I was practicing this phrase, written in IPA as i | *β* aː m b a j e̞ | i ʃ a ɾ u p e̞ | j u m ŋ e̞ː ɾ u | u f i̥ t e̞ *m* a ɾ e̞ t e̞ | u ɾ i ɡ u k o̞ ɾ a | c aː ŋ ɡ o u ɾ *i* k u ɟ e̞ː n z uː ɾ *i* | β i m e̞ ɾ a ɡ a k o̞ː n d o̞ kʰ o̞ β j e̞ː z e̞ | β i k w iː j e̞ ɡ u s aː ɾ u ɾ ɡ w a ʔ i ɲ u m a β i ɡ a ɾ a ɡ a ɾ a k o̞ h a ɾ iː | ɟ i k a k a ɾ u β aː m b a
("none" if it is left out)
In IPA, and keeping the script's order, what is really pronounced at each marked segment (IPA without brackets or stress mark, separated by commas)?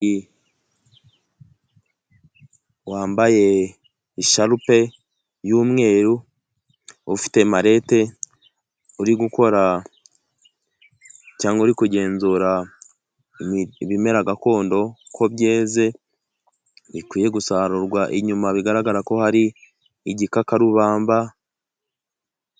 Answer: w, m, i, a